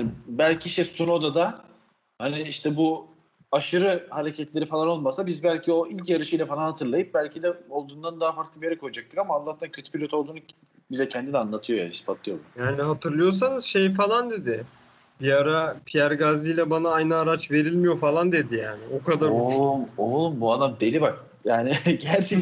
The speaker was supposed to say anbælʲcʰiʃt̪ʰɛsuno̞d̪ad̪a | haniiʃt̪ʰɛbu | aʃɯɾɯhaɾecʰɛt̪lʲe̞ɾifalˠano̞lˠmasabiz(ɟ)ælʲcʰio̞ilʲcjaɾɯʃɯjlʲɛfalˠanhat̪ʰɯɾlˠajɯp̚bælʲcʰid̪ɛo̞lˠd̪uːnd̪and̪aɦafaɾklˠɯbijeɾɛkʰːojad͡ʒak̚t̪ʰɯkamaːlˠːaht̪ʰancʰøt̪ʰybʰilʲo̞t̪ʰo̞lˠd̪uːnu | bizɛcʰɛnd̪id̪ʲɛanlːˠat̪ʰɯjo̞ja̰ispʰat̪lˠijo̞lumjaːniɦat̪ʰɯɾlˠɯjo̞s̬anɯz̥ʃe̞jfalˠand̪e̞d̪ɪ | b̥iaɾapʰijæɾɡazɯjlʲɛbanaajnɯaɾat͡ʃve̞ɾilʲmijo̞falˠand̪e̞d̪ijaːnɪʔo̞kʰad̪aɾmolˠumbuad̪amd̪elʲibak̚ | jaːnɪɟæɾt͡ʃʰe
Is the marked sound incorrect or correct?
incorrect